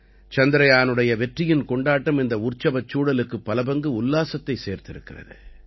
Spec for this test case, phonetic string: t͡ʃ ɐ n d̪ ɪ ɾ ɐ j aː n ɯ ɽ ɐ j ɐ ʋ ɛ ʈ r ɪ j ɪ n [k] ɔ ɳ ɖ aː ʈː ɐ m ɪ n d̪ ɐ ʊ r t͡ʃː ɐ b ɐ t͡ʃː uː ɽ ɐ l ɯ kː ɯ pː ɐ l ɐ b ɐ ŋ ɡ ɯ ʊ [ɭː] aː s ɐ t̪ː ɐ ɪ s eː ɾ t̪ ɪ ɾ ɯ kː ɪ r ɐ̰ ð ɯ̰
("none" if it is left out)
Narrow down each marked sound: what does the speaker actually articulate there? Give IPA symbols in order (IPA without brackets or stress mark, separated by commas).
k, lː